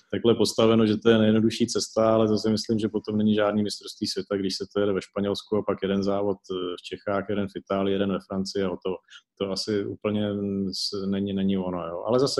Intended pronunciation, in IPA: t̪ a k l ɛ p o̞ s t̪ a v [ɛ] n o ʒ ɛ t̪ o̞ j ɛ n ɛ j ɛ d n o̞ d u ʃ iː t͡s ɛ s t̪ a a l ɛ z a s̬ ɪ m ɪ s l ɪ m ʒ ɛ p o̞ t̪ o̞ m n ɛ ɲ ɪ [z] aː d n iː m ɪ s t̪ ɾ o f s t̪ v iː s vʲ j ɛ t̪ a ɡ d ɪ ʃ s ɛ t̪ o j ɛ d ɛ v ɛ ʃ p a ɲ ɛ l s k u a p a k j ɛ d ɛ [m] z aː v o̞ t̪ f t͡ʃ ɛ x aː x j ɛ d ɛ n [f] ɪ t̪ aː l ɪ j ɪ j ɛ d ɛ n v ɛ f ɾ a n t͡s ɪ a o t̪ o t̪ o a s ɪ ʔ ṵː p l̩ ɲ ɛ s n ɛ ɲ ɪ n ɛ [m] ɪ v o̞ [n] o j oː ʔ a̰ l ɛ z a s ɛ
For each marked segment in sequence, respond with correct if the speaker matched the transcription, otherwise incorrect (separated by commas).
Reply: correct, incorrect, incorrect, correct, incorrect, correct